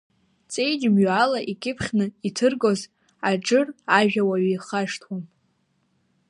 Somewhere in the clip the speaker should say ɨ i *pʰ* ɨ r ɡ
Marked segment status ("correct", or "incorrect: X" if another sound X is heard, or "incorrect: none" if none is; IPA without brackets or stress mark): incorrect: tʰ